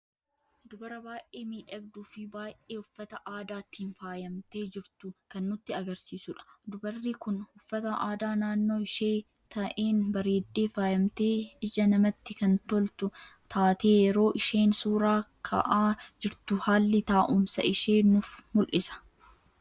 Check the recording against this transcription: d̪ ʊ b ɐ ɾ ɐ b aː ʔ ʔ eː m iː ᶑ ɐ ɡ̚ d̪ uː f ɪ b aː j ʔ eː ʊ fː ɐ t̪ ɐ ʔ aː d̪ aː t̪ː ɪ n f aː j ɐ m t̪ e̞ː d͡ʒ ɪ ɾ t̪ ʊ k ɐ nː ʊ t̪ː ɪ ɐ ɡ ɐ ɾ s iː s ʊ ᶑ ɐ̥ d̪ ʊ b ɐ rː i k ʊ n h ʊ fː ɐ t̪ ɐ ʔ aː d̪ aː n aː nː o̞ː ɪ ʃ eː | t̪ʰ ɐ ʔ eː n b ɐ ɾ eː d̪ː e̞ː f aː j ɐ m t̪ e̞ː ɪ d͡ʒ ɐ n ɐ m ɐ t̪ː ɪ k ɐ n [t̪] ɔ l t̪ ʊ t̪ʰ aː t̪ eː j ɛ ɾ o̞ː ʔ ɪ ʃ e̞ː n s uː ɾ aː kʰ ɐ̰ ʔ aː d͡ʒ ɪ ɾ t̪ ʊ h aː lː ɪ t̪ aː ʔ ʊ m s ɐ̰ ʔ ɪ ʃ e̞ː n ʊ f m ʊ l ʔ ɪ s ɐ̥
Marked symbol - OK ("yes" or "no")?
yes